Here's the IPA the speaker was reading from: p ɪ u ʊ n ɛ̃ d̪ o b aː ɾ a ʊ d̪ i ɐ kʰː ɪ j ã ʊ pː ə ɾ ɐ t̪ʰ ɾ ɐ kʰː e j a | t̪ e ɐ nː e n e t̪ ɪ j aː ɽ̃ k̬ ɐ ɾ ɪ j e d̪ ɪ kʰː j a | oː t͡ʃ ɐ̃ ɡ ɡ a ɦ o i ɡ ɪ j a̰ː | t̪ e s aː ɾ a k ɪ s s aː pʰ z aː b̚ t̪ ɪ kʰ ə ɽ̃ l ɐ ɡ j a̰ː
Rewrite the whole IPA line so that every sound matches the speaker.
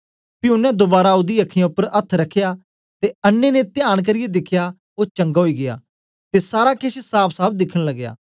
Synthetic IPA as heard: p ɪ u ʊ n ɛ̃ d̪ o b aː ɾ a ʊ d̪ i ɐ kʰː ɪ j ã ʊ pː ə ɾ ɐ t̪ʰ ɾ ɐ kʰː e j a | t̪ e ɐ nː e n e t̪ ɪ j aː ɽ̃ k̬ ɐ ɾ ɪ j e d̪ ɪ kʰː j a | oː t͡ʃ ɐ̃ ŋ ɡ a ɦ o i ɡ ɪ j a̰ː | t̪ e s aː ɾ a k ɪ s s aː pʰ s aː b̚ d̪ ɪ kʰ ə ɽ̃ l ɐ ɡ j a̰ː